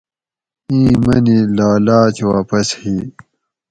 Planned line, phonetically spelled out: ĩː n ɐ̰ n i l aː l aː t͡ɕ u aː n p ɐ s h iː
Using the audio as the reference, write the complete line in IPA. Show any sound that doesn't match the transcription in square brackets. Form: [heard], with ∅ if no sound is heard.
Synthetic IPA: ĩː [m] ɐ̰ n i l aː l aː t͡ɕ [w] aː [∅] p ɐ s h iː